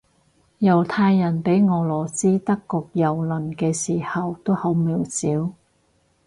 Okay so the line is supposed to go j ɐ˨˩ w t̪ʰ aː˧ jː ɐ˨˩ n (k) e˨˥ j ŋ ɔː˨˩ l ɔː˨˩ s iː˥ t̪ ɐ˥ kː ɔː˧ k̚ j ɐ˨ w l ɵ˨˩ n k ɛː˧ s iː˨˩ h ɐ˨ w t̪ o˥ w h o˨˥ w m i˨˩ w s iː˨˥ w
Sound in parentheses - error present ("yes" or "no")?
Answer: yes